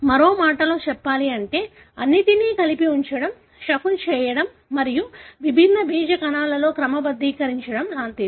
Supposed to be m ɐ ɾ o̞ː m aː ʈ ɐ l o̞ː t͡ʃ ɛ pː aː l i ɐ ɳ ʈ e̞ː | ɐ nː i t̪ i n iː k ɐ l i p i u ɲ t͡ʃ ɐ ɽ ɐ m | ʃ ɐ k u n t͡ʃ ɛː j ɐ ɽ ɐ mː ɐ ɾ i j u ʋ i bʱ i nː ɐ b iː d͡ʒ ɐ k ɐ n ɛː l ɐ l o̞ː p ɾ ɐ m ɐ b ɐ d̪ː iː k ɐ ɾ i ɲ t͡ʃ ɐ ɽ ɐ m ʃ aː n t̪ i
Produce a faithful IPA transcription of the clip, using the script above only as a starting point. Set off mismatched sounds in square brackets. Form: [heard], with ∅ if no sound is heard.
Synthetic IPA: m ɐ ɾ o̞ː m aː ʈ ɐ l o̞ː t͡ʃ ɛ pː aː l i ɐ ɳ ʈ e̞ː | ɐ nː i t̪ i n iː k ɐ l i p i u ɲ t͡ʃ ɐ ɽ ɐ m | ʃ ɐ k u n t͡ʃ ɛː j ɐ ɽ ɐ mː ɐ ɾ i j u ʋ i bʱ i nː ɐ b iː d͡ʒ ɐ k ɐ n [aː] l ɐ l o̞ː [k] ɾ ɐ m ɐ b ɐ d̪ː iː k ɐ ɾ i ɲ t͡ʃ ɐ ɽ ɐ m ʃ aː n t̪ i